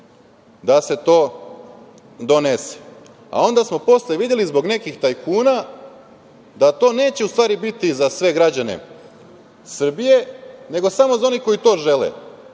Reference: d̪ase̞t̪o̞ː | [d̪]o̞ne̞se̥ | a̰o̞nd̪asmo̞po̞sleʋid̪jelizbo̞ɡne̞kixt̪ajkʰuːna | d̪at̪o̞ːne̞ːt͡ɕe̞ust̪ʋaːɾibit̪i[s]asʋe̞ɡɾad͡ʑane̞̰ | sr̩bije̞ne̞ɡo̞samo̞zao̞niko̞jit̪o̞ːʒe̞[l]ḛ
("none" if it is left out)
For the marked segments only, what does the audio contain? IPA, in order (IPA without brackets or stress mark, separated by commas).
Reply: d̪, z, l